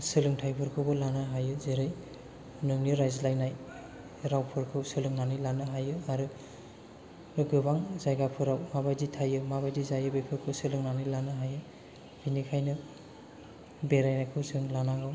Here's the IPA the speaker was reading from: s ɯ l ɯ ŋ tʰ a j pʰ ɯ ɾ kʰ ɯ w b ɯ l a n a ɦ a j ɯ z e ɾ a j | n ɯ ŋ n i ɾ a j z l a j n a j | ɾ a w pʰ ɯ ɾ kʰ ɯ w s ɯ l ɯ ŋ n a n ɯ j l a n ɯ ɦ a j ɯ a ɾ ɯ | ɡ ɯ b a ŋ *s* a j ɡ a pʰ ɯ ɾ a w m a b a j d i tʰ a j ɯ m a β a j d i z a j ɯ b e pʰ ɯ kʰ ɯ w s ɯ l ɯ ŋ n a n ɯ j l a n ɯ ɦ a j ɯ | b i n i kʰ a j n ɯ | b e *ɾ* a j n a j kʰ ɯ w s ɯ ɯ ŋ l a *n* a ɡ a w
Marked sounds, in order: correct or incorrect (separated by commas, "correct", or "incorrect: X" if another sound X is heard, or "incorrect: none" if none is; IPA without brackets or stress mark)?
incorrect: z, correct, correct